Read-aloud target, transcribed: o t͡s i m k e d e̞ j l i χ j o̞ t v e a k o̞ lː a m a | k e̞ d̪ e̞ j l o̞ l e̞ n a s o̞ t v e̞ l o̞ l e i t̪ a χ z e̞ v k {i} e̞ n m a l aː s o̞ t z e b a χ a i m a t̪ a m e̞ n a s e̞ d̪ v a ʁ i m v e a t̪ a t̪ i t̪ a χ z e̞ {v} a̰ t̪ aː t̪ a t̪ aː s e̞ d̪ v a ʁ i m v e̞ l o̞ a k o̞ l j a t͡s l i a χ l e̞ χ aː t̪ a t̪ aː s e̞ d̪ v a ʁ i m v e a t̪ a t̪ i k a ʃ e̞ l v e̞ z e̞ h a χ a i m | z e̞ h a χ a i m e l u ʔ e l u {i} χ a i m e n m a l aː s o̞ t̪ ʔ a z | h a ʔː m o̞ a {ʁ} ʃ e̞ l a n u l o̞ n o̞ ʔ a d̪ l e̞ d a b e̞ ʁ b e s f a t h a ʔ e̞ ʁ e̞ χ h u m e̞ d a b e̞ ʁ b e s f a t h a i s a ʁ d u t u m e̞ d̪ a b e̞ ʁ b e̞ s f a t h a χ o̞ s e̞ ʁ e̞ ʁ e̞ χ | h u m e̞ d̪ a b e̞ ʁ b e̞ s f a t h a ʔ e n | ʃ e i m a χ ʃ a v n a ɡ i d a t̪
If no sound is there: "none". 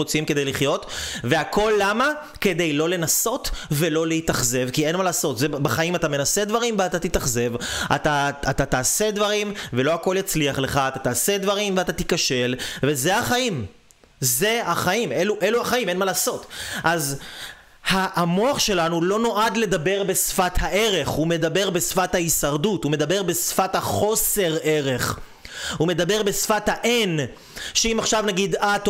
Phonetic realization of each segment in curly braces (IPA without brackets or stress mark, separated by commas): i, v, a, χ